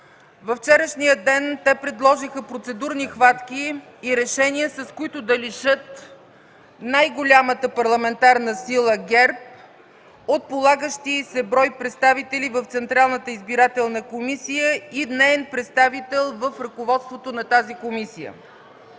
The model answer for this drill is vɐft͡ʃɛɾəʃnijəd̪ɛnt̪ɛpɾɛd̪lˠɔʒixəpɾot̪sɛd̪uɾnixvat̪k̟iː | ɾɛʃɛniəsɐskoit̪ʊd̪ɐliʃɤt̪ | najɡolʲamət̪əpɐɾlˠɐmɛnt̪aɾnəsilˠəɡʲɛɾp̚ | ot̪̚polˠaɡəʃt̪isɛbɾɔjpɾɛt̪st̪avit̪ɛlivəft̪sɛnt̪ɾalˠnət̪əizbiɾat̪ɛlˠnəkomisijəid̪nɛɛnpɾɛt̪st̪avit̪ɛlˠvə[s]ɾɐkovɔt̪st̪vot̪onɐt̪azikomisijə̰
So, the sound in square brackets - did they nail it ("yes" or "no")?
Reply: no